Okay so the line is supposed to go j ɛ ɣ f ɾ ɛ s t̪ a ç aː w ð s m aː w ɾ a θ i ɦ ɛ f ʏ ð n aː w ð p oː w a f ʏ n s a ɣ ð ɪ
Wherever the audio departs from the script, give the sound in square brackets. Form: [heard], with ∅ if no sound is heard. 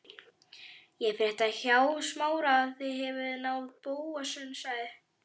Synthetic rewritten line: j ɛ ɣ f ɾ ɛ [h] t̪ a ç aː w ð s m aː w ɾ a θ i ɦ ɛ [v] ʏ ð n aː w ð p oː w a [s] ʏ n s a ɣ ð ɪ